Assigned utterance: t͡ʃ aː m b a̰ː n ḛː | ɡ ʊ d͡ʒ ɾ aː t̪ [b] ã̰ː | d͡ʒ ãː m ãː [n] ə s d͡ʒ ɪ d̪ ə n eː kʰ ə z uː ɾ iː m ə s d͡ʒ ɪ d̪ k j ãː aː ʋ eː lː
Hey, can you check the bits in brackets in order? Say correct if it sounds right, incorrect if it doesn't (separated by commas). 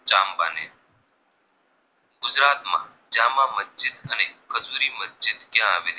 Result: incorrect, incorrect